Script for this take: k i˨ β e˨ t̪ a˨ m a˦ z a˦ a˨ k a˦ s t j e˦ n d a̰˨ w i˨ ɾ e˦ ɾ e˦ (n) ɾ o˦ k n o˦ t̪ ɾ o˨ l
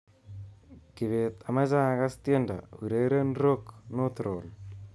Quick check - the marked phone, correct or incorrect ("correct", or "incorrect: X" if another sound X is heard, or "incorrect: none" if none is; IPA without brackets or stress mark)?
correct